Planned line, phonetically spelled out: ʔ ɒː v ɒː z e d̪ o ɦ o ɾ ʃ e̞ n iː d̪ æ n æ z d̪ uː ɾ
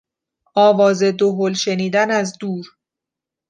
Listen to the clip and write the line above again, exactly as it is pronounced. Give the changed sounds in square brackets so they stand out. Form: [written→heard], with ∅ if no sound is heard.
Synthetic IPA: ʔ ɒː v ɒː z e d̪ o ɦ o [ɾ→l] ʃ e̞ n iː d̪ æ n æ z d̪ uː ɾ